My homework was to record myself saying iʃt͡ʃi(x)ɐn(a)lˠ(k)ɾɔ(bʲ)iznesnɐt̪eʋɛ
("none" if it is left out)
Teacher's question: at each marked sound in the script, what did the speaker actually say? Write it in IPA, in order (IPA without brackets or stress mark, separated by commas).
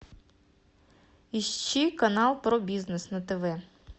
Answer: k, ɑ, p, bʲ